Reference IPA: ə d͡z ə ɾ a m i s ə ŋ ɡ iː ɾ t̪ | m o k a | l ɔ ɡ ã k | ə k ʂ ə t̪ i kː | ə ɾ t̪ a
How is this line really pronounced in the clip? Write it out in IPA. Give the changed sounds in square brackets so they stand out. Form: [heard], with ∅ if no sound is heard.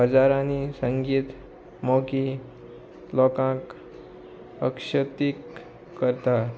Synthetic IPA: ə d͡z [a] ɾ a [n] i s ə ŋ ɡ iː [∅] t̪ | m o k [i] | l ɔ [k] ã k | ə k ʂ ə t̪ i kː | ə ɾ t̪ a